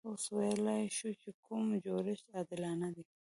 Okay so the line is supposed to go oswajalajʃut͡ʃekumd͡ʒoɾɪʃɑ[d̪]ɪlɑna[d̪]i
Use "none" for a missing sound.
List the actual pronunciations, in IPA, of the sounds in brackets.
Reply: d̪, d̪

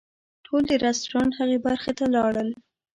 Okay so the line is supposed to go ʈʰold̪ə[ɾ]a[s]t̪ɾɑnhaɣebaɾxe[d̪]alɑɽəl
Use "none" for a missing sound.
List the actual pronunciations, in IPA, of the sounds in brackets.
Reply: ɾ, s, t̪

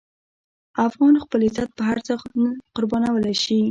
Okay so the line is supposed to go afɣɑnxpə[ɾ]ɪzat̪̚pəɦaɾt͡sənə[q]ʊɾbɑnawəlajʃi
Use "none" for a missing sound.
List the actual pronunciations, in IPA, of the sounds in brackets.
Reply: l, q

